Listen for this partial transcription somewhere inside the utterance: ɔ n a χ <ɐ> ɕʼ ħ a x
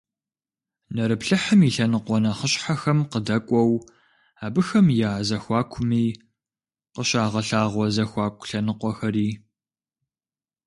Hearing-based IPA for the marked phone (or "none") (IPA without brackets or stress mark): ə